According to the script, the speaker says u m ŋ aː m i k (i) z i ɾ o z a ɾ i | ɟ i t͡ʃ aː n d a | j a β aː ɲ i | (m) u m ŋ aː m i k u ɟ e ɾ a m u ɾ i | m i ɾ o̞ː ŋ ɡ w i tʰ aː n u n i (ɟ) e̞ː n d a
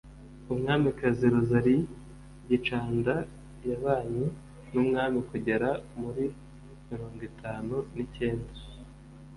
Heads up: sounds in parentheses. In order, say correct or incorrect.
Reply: incorrect: a, incorrect: n, incorrect: c

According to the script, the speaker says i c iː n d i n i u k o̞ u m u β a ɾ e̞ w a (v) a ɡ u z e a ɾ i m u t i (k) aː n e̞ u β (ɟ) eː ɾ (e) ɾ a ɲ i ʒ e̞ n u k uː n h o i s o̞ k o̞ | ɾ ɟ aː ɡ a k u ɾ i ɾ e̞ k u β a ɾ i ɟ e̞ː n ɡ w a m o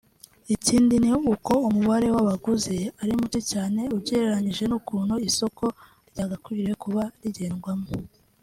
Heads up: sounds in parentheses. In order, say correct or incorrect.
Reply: incorrect: β, incorrect: c, correct, correct

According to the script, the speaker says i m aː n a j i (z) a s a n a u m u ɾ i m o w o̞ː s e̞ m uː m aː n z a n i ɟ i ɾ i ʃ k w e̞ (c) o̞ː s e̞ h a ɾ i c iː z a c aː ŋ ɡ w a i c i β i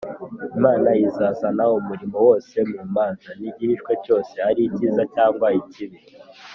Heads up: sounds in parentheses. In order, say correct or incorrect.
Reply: correct, correct

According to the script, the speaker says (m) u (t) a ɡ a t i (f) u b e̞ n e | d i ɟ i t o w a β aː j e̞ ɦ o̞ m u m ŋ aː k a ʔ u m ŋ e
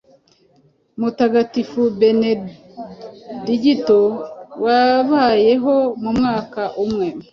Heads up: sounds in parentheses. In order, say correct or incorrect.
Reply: correct, correct, correct

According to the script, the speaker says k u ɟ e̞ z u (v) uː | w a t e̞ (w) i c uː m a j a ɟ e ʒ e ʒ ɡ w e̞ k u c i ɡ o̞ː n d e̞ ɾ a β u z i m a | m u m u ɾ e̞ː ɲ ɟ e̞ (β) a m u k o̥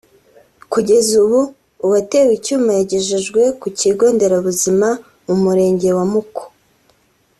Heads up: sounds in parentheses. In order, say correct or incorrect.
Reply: incorrect: β, correct, incorrect: w

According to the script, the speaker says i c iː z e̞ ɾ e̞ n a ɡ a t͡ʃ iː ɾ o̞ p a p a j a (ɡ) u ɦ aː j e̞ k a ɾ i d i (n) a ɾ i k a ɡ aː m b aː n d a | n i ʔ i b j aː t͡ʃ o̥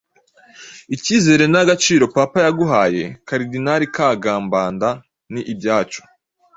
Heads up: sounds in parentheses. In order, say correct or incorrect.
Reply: correct, correct

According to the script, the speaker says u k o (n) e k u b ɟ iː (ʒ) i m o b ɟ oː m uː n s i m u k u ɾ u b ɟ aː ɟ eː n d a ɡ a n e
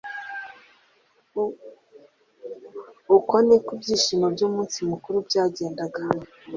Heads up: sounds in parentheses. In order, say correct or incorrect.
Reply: correct, incorrect: ʃ

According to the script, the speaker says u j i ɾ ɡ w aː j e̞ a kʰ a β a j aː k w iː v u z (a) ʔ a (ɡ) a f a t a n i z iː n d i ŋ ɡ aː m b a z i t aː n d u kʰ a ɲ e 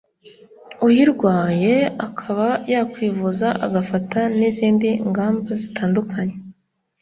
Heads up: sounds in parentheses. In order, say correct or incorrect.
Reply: correct, correct

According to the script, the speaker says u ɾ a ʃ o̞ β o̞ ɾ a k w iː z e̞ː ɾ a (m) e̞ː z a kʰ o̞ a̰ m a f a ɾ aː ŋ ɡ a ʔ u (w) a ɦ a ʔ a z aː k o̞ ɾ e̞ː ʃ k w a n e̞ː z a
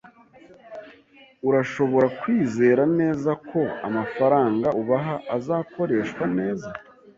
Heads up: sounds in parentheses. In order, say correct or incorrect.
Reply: incorrect: n, incorrect: β

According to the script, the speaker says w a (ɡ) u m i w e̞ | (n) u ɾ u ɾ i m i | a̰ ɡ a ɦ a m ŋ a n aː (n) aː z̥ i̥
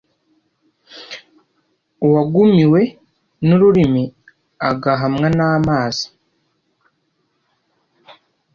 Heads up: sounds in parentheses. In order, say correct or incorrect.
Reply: correct, correct, incorrect: m

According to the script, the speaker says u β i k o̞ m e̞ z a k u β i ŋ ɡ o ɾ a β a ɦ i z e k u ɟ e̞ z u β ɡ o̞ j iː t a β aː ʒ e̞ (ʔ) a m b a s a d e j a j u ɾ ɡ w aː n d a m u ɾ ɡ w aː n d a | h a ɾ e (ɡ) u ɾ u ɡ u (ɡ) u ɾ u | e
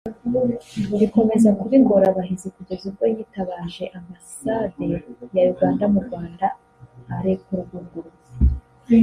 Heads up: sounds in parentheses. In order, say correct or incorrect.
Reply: correct, incorrect: k, correct

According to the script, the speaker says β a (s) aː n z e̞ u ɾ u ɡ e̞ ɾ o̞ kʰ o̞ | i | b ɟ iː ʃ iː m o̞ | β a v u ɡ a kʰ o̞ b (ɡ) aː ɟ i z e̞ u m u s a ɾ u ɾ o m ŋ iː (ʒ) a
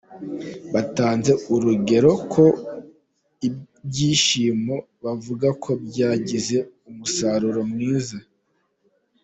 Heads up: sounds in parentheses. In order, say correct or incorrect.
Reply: incorrect: t, incorrect: ɟ, incorrect: z

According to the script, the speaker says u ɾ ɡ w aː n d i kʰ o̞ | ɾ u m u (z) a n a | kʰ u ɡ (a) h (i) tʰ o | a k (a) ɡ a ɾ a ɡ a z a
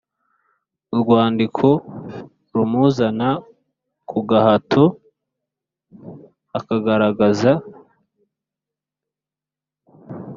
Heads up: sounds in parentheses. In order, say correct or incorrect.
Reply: correct, correct, incorrect: a, correct

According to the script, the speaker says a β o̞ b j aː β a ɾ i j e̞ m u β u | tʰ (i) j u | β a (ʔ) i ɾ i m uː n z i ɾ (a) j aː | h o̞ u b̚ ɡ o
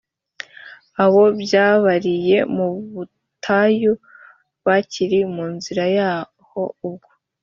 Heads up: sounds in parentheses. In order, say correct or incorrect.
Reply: incorrect: a, incorrect: c, correct

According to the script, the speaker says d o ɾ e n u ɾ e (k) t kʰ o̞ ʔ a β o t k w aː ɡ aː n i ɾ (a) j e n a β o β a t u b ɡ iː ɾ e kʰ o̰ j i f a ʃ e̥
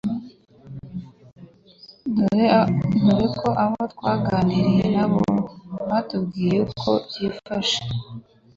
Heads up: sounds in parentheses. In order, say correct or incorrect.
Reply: correct, incorrect: i

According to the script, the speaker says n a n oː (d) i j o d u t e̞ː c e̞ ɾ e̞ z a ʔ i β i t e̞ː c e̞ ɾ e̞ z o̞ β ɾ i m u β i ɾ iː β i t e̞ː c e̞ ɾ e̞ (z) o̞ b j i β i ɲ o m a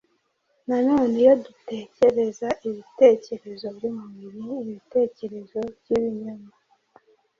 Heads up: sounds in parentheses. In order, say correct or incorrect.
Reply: incorrect: n, correct

